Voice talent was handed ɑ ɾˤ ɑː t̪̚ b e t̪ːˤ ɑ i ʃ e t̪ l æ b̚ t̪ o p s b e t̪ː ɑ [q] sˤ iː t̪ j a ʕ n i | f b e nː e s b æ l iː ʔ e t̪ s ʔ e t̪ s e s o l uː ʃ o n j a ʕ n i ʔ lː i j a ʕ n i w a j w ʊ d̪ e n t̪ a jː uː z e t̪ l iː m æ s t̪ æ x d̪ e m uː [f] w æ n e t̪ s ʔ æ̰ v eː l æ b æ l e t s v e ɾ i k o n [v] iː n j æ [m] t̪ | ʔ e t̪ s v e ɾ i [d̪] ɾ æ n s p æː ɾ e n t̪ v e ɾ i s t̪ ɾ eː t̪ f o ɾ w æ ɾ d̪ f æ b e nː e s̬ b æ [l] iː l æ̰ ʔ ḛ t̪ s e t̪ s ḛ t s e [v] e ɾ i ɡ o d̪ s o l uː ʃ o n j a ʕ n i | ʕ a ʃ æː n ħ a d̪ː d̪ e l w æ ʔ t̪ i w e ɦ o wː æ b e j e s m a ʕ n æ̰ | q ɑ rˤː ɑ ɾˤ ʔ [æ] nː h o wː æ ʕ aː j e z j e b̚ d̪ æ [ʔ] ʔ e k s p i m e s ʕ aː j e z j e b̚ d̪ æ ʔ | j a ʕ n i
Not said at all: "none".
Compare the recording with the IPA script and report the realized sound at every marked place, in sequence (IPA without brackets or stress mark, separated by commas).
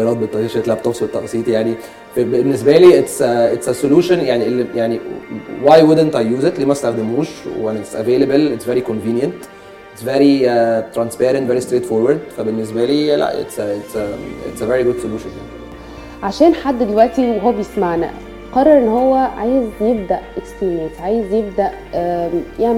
ʔ, ʃ, v, n, t̪, l, v, e, ʔ